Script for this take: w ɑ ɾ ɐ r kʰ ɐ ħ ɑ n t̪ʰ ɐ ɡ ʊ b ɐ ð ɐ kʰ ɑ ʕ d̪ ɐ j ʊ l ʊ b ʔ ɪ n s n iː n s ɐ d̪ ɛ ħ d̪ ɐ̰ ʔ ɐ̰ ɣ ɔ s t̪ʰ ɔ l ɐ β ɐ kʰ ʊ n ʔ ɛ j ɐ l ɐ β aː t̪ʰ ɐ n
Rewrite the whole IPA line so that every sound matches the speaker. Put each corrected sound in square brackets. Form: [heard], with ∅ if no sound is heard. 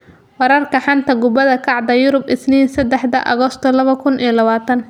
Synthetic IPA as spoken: w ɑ ɾ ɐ r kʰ ɐ ħ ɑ n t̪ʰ ɐ ɡ ʊ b ɐ ð ɐ kʰ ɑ ʕ d̪ ɐ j ʊ [ɾ] ʊ b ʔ ɪ [∅] s n iː n s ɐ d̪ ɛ ħ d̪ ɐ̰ ʔ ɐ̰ ɣ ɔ s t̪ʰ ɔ l ɐ β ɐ kʰ ʊ n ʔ [i] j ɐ l ɐ β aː t̪ʰ ɐ n

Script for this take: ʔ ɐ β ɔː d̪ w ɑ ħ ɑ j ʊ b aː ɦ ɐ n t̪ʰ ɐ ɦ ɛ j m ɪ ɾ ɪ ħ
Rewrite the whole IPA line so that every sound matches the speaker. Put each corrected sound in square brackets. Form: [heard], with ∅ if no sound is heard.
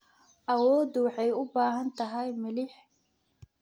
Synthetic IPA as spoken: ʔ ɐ [w] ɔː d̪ w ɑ ħ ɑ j ʊ b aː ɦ ɐ n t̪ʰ ɐ ɦ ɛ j m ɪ [l] ɪ ħ

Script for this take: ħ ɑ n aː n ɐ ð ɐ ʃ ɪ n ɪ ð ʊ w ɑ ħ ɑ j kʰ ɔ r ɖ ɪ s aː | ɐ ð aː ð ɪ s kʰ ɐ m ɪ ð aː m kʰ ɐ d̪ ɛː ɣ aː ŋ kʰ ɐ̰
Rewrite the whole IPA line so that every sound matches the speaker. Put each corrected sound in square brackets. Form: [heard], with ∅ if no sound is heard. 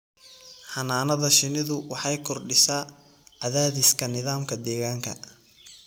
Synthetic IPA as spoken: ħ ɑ n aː n ɐ ð ɐ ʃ ɪ n ɪ ð ʊ w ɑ ħ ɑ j kʰ ɔ r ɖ ɪ s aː | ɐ ð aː ð ɪ s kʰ ɐ [n] ɪ ð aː m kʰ ɐ d̪ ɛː ɣ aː ŋ kʰ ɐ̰

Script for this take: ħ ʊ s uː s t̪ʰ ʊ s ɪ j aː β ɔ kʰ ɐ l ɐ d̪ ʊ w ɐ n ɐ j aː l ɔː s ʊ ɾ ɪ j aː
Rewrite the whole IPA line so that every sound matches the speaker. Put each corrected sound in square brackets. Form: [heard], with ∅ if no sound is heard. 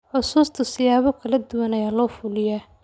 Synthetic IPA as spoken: ħ ʊ s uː s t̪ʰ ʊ s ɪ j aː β ɔ kʰ ɐ l ɐ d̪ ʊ w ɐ n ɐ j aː l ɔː [f] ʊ [l] ɪ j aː

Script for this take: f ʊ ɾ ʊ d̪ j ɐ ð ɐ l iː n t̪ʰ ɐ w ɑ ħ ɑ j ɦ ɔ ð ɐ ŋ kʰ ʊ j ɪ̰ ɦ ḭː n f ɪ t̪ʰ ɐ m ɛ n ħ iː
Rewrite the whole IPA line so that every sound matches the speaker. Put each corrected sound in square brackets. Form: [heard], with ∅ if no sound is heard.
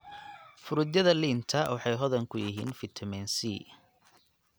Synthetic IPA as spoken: f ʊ ɾ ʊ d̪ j ɐ ð ɐ l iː n t̪ʰ ɐ w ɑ ħ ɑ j ɦ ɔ ð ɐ ŋ kʰ ʊ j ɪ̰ ɦ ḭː n f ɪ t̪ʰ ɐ m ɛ n [s] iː

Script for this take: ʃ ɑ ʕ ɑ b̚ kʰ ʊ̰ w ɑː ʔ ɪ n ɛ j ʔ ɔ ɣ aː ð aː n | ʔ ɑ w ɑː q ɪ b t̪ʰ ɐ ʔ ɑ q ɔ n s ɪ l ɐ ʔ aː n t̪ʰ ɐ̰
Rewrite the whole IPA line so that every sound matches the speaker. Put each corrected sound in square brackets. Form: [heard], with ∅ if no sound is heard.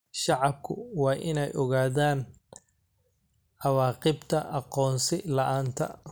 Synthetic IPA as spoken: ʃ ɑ ʕ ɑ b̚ kʰ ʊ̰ w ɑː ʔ ɪ n ɛ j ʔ ɔ ɣ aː ð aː n | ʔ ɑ w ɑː q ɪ b t̪ʰ ɐ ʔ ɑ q [ɔː] n s ɪ l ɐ ʔ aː n t̪ʰ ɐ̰

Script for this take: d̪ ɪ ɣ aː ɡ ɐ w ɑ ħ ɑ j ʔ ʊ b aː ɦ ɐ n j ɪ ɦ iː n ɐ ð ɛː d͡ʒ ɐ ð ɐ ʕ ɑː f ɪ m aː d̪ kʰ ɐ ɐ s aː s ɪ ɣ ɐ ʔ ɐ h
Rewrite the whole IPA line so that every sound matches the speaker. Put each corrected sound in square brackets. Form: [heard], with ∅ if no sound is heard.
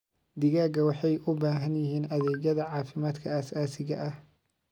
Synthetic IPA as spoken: d̪ ɪ ɣ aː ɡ ɐ w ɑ ħ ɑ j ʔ ʊ b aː ɦ ɐ n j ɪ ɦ iː n ɐ ð ɛː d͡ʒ ɐ ð ɐ ʕ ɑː f ɪ m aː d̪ kʰ ɐ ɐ s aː s ɪ ɣ ɐ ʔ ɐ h

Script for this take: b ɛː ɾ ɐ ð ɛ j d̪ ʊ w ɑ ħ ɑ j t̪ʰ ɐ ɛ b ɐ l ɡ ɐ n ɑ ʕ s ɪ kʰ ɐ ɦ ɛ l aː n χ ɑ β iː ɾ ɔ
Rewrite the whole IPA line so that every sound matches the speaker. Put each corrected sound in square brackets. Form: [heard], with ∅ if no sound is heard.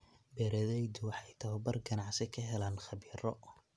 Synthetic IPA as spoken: b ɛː ɾ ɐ ð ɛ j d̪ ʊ w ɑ ħ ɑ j t̪ʰ ɐ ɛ b ɐ [r] ɡ ɐ n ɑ ʕ s ɪ kʰ ɐ ɦ ɛ l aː n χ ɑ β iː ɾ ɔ

